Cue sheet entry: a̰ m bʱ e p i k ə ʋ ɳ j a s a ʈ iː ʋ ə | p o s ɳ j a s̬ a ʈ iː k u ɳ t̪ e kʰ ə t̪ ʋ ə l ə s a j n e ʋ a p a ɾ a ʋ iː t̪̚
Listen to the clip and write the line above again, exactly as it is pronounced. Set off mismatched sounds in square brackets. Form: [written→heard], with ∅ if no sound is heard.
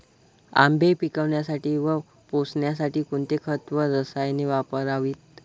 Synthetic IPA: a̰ m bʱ e p i k ə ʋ ɳ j a s a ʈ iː ʋ ə | p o s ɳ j a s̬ a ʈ iː k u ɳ t̪ e kʰ ə t̪ ʋ ə [l→ɾ] ə s a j n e ʋ a p [a→ə] ɾ a ʋ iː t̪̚